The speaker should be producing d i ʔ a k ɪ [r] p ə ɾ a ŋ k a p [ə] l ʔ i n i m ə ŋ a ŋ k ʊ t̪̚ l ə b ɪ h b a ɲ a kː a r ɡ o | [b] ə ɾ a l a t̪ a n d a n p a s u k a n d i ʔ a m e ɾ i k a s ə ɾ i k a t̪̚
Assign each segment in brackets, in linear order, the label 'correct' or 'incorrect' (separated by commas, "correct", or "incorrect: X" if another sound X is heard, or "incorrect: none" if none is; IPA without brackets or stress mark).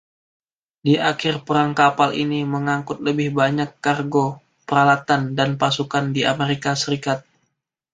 correct, incorrect: a, incorrect: p